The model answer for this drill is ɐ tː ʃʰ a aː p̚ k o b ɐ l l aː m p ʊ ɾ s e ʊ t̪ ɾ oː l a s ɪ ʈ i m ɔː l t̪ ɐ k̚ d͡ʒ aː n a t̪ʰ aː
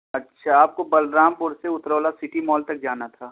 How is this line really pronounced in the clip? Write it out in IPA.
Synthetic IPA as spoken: ɐ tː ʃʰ a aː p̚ k o b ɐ l ɾ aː m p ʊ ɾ s e ʊ t̪ ɾ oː l a s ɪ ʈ i m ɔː l t̪ ɐ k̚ d͡ʒ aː n a t̪ʰ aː